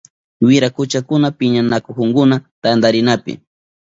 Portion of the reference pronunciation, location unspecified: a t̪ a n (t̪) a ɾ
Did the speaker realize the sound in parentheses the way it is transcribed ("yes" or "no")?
no